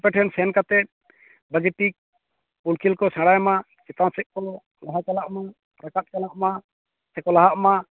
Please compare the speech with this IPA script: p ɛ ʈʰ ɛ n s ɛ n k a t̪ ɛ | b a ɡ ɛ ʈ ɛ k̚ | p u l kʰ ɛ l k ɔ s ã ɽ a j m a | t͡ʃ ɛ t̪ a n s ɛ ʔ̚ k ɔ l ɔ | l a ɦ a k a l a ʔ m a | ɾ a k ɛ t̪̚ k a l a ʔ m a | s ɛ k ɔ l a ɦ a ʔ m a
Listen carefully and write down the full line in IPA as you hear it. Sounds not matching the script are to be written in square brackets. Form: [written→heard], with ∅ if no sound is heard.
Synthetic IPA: p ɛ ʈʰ ɛ n s ɛ n k a t̪ ɛ | b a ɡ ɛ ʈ [ɛ→i] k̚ | p u l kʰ [ɛ→i] l k ɔ s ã ɽ a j m a | t͡ʃ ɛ t̪ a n s ɛ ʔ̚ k ɔ l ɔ | l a ɦ a k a l a ʔ m a | ɾ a k [ɛ→a] t̪̚ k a l a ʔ m a | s ɛ k ɔ l a ɦ a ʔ m a